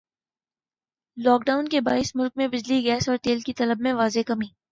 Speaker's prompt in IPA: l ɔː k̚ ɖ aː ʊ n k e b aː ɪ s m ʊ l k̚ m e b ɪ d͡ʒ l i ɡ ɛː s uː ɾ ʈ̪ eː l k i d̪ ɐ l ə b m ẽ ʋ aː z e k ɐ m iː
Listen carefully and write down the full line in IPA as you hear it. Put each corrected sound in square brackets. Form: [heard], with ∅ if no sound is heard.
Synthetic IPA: l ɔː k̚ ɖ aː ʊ n k e b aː ɪ s m ʊ l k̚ m [ẽ] b ɪ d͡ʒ l i ɡ ɛː s [ɔː] ɾ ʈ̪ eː l k i [t̪] ɐ l ə b m ẽ ʋ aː z e k ɐ m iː